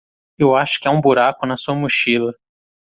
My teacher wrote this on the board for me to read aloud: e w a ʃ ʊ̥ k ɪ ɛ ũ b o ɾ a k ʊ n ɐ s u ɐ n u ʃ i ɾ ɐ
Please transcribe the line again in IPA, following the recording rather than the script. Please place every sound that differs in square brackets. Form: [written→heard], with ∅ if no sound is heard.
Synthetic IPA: e w a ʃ ʊ̥ k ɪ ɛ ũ b [o→u] ɾ a k ʊ n ɐ s u ɐ [n→m] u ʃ i [ɾ→l] ɐ